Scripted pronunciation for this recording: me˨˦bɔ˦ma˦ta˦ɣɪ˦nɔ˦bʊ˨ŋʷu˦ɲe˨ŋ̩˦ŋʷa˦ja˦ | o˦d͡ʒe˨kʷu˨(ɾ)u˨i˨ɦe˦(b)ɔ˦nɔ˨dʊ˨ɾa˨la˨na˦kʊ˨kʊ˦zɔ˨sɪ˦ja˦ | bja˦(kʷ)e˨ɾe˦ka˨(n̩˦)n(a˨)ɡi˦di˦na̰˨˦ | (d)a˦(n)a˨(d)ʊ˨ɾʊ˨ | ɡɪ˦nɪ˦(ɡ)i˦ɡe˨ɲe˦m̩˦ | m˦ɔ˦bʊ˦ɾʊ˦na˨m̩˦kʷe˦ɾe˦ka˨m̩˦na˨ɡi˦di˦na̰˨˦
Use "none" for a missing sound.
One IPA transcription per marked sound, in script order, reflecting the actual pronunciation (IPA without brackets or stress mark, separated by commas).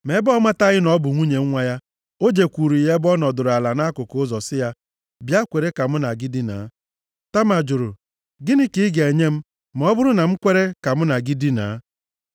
ɾ, b, kʷ, m̩˦, a˨, t, m, d͡ʒ, k